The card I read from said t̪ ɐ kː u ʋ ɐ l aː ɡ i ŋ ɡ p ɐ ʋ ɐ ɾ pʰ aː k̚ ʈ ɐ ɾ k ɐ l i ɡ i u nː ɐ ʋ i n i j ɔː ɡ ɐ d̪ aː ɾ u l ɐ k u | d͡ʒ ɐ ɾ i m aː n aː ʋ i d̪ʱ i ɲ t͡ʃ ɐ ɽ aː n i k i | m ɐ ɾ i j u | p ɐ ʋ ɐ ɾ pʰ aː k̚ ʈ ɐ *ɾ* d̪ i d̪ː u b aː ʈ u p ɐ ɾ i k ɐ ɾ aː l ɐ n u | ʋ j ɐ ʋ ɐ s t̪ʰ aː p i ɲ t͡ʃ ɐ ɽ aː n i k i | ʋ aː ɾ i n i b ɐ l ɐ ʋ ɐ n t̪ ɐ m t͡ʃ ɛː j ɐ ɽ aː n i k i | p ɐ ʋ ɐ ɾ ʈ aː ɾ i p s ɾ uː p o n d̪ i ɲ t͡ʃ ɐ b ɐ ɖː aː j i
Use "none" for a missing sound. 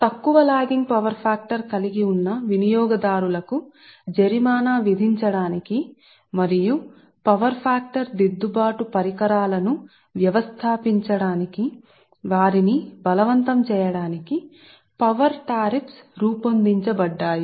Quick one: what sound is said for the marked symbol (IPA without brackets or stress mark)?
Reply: ɾ